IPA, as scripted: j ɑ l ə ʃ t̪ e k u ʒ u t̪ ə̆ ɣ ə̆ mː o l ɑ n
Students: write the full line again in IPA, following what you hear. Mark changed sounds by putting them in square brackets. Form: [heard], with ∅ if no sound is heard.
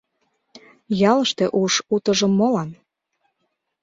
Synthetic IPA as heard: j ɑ l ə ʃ t̪ e [ʔ] u [ʃ] u t̪ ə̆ [ʒ] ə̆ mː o l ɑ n